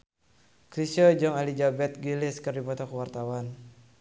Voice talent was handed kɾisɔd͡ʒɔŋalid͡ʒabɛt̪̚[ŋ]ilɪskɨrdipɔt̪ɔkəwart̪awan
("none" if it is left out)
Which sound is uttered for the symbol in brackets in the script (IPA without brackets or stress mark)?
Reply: ɡ